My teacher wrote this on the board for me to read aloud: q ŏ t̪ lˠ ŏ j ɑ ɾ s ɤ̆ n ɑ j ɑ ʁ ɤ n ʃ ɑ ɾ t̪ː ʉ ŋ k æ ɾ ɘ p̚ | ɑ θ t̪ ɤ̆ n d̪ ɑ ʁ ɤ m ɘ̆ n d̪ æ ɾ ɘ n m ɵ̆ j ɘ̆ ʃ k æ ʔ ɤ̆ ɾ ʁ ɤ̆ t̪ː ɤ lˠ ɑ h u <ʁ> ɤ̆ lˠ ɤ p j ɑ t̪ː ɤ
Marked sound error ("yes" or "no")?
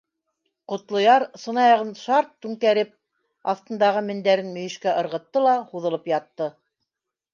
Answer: yes